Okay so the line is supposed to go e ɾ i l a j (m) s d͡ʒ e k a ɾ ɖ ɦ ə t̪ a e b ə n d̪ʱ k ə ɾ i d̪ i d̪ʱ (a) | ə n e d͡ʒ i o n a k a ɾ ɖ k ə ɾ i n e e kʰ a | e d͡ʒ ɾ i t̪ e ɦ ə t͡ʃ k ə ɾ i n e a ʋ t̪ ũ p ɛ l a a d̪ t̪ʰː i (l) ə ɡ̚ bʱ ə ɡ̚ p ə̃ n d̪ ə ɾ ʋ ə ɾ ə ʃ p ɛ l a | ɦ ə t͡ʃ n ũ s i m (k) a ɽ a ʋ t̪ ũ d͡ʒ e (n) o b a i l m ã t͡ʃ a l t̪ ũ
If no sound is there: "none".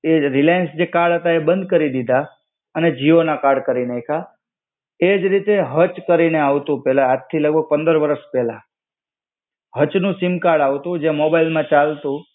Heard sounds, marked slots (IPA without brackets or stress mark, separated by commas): n, a, l, k, m